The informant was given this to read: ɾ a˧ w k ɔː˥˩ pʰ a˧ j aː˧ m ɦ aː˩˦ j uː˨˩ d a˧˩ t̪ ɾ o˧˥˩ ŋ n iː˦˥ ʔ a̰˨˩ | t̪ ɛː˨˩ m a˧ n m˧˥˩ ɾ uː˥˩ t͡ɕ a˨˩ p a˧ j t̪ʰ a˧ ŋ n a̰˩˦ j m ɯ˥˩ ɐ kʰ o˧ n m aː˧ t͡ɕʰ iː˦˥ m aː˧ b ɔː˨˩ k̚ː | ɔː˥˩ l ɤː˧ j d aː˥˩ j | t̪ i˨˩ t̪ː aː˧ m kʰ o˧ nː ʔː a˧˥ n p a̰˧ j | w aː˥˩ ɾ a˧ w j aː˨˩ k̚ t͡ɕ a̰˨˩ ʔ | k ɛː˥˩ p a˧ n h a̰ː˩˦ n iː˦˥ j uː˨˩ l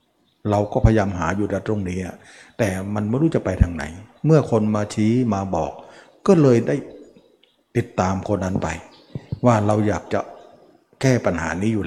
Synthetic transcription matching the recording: ɾ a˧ w k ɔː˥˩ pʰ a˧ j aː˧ m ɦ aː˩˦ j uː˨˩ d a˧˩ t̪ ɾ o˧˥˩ ŋ n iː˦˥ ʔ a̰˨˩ | t̪ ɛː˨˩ m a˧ n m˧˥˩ ɾ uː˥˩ t͡ɕ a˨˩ p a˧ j t̪ʰ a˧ ŋ n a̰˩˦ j m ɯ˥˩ ɐ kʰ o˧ n m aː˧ t͡ɕʰ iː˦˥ m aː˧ b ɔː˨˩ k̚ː | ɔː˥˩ l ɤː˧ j d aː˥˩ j | t̪ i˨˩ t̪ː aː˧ m kʰ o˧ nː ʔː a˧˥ n p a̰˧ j | w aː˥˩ ɾ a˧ w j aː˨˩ k̚ t͡ɕ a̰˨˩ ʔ | k ɛː˥˩ p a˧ n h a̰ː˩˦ n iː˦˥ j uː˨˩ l